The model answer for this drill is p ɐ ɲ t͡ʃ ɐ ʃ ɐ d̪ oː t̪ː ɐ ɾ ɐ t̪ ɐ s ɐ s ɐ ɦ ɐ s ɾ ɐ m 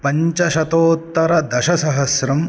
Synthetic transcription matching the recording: p ɐ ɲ t͡ʃ ɐ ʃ ɐ t̪ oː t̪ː ɐ ɾ ɐ d̪ ɐ ʃ ɐ s ɐ ɦ ɐ s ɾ ɐ m